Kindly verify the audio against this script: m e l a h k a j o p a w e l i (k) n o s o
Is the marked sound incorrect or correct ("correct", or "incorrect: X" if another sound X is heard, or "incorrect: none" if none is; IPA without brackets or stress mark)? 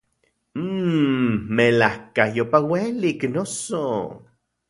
correct